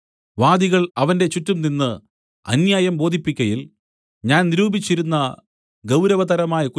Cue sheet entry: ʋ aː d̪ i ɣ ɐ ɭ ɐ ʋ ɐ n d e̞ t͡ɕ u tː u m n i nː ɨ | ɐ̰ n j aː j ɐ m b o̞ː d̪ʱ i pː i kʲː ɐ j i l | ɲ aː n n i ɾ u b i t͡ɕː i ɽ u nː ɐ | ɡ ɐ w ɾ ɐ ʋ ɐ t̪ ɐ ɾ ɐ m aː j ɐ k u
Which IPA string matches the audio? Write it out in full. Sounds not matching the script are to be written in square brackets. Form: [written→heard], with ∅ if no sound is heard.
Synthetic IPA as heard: ʋ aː d̪ i ɣ ɐ ɭ ɐ ʋ ɐ n d e̞ t͡ɕ u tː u m n i nː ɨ | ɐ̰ n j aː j ɐ m b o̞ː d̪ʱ i pː i kʲː ɐ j i l | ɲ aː n n i ɾ [u→uː] b i t͡ɕː i [ɽ→ɾ] u nː ɐ | ɡ ɐ w ɾ ɐ ʋ ɐ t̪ ɐ ɾ ɐ m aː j ɐ k u